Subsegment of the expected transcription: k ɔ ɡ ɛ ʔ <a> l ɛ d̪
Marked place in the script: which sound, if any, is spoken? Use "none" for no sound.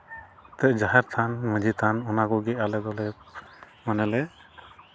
a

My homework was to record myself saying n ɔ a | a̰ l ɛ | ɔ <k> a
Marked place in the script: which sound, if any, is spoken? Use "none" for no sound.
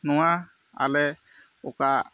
k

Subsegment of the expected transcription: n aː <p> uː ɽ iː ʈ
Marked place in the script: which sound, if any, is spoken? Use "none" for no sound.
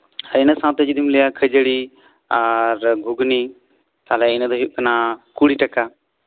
k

